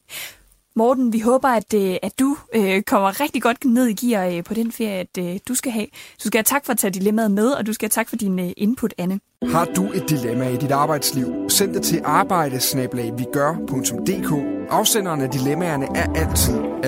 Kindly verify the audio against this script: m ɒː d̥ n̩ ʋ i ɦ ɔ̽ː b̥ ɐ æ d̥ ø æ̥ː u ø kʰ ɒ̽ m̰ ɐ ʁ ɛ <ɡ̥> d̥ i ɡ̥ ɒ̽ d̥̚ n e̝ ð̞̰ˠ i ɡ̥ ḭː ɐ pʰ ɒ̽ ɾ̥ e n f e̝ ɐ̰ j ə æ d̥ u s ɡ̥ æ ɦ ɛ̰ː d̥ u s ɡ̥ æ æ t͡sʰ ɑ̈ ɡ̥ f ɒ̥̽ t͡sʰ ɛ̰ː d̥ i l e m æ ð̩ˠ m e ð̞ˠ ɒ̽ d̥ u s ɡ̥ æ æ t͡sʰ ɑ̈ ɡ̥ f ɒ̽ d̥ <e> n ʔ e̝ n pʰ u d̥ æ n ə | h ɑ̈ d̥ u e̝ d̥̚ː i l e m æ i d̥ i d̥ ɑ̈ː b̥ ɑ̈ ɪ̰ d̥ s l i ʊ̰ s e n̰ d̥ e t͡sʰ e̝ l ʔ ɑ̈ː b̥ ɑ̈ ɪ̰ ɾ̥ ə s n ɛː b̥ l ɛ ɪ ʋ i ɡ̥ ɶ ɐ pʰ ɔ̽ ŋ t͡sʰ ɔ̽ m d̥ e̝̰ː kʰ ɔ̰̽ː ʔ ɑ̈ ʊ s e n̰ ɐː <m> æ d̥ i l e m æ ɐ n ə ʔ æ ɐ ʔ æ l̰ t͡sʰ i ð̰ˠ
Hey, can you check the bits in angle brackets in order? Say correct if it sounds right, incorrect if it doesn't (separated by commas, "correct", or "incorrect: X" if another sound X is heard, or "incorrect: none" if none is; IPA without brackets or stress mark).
correct, incorrect: i, incorrect: n